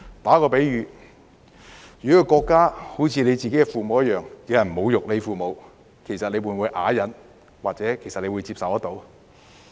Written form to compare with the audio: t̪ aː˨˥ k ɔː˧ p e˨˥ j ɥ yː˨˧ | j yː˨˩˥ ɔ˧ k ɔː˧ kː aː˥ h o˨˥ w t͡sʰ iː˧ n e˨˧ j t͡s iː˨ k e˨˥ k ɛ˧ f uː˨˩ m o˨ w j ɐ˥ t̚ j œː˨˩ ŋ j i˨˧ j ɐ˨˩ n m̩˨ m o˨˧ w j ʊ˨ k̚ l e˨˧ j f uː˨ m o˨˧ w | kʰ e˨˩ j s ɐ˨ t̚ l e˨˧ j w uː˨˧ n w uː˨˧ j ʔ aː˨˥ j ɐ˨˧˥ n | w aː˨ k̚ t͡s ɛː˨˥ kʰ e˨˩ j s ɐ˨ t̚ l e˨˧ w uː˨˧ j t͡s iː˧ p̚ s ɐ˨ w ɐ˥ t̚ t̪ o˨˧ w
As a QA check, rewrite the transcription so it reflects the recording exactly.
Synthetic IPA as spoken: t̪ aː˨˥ k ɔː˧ p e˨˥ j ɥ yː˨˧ | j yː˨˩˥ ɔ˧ k ɔː˧ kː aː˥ h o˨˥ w t͡sʰ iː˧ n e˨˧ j t͡s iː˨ k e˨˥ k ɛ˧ f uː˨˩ m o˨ w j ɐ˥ t̚ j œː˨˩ ŋ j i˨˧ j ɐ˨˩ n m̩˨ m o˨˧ w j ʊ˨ k̚ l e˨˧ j f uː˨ m o˨˧ w | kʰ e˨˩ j s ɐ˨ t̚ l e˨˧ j w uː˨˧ n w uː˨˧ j ʔ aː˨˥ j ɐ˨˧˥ n | w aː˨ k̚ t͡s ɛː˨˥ kʰ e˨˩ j s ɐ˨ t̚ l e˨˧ w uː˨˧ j t͡s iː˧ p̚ s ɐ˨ w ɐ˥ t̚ t̪ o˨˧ w